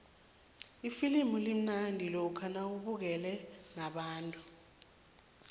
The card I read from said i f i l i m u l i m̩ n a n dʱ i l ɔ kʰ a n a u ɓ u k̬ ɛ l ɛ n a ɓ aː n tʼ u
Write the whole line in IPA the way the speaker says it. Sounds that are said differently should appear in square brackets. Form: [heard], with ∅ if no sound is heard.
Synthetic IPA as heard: i f i l i m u l i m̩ n a n dʱ i l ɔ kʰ a n a u ɓ u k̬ ɛ l ɛ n a ɓ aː n tʼ u